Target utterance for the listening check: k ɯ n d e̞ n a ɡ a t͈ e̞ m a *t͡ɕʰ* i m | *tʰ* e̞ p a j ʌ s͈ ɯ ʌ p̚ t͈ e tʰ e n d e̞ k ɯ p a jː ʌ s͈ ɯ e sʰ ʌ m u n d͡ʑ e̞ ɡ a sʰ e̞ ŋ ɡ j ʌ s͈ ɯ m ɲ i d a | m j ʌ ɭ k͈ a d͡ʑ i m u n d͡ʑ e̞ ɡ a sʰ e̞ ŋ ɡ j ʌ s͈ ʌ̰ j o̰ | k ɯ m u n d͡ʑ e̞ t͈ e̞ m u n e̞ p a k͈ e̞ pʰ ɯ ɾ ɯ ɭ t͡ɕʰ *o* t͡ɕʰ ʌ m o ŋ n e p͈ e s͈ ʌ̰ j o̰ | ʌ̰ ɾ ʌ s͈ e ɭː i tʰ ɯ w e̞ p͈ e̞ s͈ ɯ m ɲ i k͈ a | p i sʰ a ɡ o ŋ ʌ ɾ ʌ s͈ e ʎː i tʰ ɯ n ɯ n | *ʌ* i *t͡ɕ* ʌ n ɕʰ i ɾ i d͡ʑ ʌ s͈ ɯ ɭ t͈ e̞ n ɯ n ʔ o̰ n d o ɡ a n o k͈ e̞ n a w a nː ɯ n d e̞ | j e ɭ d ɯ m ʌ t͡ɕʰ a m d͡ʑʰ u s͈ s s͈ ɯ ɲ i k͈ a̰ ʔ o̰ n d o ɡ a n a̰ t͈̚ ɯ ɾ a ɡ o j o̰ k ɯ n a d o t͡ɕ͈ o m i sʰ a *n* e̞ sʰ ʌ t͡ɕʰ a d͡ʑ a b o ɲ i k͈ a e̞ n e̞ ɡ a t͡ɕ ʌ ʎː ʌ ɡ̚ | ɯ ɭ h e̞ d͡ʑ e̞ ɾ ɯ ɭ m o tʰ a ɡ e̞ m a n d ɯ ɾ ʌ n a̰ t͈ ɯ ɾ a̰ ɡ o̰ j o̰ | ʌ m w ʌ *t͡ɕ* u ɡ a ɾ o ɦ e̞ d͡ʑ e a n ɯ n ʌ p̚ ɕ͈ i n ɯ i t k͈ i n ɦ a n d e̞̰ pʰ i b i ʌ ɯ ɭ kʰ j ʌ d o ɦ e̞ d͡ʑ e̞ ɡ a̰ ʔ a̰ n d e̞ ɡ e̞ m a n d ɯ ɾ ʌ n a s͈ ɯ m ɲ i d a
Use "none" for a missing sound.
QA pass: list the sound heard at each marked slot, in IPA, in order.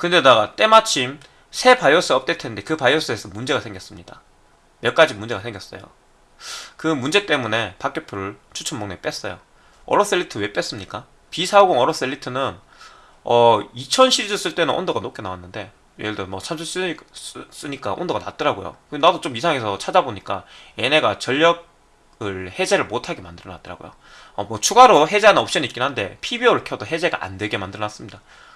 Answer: t͡ɕʰ, sʰ, u, ʌ, t͡ɕʰ, ŋ, t͡ɕʰ

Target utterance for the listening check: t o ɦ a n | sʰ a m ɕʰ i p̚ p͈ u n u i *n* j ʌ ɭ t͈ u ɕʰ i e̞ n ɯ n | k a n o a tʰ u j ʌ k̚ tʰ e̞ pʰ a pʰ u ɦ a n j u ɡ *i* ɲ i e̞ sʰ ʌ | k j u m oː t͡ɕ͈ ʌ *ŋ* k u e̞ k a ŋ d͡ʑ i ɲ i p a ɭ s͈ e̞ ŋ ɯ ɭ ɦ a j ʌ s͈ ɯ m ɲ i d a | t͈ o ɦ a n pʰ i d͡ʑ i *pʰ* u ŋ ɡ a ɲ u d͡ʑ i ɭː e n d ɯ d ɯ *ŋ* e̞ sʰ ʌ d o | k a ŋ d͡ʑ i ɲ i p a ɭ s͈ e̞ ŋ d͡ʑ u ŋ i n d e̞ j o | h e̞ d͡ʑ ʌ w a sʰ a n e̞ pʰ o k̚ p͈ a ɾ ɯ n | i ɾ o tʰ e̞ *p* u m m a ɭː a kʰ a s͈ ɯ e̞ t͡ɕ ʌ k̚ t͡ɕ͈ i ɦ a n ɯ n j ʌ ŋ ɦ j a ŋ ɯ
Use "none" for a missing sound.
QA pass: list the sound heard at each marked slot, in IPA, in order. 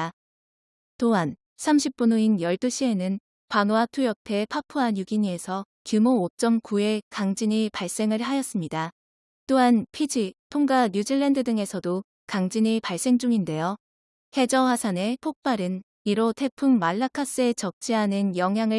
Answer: n, i, m, pʰ, ŋ, pʰ

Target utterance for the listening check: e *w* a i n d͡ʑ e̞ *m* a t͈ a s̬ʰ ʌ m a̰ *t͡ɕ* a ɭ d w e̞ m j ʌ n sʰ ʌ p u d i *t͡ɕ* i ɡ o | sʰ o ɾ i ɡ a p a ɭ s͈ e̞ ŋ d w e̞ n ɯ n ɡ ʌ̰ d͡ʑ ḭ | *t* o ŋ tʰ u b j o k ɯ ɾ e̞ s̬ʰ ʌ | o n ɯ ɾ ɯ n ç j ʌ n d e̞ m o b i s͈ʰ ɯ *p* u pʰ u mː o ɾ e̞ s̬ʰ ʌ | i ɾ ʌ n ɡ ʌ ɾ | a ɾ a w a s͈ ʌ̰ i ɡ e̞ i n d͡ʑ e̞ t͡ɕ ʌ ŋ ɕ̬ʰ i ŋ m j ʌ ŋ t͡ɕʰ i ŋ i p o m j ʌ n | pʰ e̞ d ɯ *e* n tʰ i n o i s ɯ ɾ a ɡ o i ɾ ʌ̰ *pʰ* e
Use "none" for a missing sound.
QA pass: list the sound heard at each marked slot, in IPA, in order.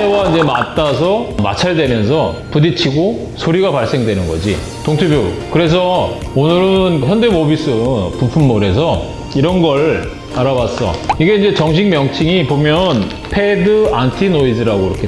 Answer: w, m, t͡ɕʰ, t͡ɕʰ, t, p, a, kʰ

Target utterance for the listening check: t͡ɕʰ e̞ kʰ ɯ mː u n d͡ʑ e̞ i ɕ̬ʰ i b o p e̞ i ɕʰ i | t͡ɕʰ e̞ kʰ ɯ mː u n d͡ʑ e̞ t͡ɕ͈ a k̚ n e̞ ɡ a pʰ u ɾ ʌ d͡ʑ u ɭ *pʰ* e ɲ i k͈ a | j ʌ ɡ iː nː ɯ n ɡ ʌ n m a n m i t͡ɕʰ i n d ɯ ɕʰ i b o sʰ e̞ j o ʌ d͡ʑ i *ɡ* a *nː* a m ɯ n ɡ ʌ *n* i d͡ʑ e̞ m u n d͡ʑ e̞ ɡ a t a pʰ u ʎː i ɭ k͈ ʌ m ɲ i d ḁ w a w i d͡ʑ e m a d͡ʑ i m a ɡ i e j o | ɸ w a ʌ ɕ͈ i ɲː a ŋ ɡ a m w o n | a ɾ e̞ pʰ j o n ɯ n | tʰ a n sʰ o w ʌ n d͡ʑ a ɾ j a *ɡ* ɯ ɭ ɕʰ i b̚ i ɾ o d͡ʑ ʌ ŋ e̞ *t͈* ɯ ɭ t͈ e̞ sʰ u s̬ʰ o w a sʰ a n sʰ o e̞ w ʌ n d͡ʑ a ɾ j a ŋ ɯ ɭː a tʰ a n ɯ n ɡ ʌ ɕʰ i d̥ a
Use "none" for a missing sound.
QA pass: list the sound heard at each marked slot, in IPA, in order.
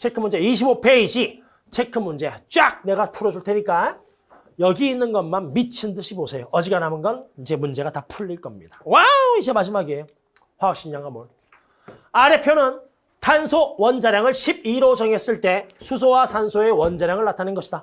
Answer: tʰ, ɡ, n, n, ŋ, s͈

